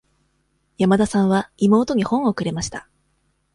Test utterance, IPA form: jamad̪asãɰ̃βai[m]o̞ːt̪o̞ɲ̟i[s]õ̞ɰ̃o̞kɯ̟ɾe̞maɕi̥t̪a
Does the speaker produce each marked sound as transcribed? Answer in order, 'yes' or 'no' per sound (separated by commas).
yes, no